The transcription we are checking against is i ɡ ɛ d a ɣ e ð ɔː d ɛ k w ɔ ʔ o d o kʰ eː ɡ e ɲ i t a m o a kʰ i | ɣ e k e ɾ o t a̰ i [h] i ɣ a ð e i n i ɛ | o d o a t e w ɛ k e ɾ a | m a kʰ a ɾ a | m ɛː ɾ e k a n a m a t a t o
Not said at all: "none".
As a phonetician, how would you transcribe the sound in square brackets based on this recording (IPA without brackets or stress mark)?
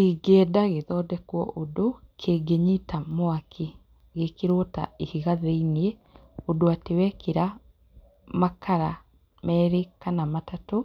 h